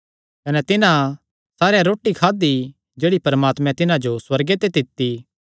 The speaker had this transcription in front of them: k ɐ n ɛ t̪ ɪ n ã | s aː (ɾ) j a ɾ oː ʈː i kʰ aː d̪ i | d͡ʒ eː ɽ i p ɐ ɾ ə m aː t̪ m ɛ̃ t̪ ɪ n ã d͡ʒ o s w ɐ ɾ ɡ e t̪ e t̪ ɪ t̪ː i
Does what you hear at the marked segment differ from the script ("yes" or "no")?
no